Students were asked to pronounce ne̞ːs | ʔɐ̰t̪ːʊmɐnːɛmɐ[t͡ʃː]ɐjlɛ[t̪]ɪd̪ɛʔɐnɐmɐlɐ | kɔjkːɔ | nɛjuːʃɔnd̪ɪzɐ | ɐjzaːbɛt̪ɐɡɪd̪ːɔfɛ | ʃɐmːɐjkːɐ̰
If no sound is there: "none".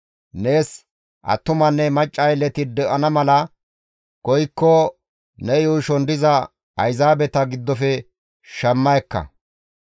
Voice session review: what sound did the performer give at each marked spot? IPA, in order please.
t͡ʃʼː, t̪

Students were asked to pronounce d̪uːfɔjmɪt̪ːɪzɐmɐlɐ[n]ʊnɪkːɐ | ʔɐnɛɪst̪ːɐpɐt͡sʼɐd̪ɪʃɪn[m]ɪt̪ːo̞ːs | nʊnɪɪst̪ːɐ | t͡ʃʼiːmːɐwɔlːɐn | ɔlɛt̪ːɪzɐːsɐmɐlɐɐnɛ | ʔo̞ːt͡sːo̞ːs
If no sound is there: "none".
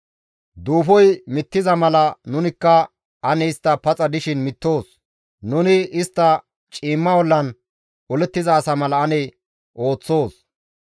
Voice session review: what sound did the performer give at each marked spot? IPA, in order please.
n, m

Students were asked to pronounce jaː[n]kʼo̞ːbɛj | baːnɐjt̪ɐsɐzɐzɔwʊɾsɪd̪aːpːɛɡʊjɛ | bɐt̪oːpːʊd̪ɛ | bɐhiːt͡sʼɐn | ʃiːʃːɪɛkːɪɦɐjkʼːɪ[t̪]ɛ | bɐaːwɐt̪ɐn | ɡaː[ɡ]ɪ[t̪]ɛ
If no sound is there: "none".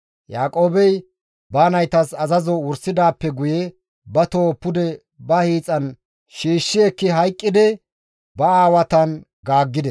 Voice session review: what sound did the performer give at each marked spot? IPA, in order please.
none, d̪, ɡː, d̪

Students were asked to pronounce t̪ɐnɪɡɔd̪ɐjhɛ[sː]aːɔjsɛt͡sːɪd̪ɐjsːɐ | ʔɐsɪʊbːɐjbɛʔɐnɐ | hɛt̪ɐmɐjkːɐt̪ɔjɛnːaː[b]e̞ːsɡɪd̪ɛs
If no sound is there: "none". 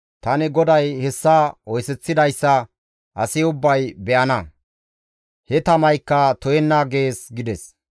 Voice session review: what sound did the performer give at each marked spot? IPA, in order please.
sː, ɡ

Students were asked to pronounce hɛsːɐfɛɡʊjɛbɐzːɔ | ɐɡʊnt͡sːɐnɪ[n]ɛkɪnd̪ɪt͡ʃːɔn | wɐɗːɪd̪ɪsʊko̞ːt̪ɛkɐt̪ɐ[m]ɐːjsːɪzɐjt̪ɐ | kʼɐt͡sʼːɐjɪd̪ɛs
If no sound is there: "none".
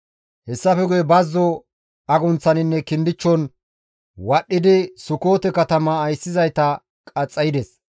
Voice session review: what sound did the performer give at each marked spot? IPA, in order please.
nː, m

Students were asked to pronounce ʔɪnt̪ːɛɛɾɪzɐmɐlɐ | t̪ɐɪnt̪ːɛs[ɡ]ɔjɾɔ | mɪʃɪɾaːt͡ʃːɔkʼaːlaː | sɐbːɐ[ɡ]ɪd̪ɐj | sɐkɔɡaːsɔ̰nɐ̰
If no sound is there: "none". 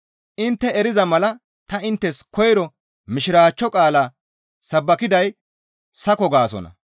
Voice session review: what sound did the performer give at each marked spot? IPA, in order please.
k, k

